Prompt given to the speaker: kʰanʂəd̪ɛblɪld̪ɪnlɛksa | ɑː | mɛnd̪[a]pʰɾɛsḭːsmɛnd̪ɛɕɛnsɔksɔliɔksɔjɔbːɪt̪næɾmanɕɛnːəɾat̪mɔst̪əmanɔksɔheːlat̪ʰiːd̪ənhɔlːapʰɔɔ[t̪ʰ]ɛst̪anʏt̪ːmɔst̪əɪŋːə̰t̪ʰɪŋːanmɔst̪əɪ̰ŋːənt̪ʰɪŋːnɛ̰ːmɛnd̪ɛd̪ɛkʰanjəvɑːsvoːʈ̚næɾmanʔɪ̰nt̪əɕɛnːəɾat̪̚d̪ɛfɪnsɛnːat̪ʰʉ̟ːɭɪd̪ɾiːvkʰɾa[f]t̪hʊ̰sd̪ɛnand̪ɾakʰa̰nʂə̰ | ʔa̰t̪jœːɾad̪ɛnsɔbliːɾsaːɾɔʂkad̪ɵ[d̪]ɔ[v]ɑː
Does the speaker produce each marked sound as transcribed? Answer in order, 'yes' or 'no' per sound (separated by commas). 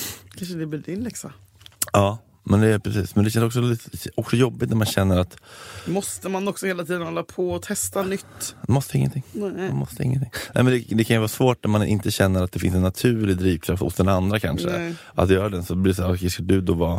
no, yes, yes, yes, yes